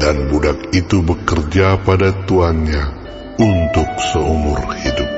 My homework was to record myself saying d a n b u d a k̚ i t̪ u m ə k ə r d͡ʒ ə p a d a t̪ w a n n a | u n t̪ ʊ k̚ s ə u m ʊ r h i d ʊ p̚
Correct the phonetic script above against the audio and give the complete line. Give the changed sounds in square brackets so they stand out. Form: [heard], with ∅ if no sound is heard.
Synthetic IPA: d a n b u d a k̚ i t̪ u [b] ə k ə r d͡ʒ [a] p a d a t̪ [u] a n [ɲ] a | u n t̪ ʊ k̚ s ə u m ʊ r h i d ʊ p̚

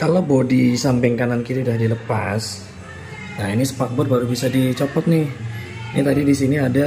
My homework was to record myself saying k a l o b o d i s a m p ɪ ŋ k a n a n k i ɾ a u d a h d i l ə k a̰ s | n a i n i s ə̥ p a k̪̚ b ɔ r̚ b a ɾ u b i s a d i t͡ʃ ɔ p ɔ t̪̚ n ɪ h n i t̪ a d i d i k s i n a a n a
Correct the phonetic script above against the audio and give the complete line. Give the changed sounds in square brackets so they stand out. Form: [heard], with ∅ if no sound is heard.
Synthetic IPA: k a l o b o d i s a m p ɪ ŋ k a n a n k i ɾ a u d a h d i l ə [p] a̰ s | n a i n i s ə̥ p a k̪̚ b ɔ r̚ b a ɾ u b i s a d i t͡ʃ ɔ p ɔ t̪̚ n ɪ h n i t̪ a d i d i [∅] s i n [i] a [d] a

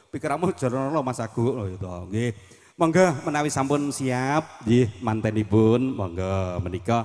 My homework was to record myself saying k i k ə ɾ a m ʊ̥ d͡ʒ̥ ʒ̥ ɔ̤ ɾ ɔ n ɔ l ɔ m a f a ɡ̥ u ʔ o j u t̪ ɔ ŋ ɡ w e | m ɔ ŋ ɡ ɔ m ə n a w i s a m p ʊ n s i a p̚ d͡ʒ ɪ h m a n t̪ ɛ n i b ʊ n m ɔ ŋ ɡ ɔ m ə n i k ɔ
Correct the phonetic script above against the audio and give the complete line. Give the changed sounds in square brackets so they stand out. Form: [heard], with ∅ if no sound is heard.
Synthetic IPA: [p] i k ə ɾ a m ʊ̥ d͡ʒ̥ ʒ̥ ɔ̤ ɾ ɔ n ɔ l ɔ m a [s] a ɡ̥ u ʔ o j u t̪ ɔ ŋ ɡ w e | m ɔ ŋ ɡ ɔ m ə n a w i s a m p ʊ n s i a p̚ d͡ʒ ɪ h m a n t̪ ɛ n i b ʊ n m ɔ ŋ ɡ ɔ m ə n i k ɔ

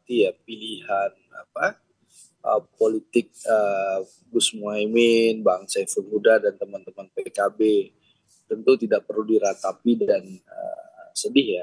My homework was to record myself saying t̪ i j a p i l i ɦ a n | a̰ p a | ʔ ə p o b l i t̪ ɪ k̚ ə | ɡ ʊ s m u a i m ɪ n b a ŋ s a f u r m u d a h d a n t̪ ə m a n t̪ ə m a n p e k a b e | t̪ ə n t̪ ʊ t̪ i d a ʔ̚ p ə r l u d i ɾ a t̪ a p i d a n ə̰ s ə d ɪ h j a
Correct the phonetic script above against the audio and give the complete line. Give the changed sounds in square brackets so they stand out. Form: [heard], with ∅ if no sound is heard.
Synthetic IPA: t̪ i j a p i l i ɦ a n | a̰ p a | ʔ ə p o [∅] l i t̪ ɪ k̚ ə | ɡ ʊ s m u a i m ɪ n b a ŋ s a f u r m u d a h d a n t̪ ə m a n t̪ ə m a n p e k a b e | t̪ ə n t̪ [u] t̪ i d a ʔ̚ p ə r l u d i ɾ a t̪ a p i d a n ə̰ s ə d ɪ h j a

